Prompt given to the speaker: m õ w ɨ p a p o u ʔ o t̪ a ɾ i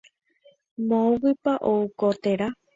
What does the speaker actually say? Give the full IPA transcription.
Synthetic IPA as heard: m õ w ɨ p a ʔ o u k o t̪ e ɾ a